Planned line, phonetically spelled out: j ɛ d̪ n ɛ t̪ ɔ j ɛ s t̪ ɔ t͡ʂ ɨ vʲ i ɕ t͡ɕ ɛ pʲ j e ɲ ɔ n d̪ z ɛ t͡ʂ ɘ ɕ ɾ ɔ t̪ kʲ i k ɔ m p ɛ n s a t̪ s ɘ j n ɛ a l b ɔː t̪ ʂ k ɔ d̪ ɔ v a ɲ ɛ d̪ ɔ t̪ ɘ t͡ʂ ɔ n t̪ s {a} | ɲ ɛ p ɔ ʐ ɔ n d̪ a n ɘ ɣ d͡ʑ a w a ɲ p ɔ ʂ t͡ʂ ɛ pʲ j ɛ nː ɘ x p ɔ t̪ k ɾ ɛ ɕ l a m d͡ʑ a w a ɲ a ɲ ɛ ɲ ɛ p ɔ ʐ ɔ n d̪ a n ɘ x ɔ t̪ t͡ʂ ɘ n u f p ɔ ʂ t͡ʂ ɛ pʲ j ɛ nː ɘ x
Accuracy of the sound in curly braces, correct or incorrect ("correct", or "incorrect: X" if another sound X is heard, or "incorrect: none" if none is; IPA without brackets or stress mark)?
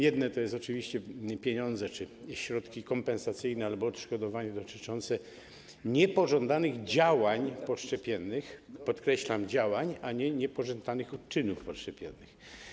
incorrect: ɛ